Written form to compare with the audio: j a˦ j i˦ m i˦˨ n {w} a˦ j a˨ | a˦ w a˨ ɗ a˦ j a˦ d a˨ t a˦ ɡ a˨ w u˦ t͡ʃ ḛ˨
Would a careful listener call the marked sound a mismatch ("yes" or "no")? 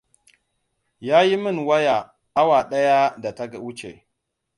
no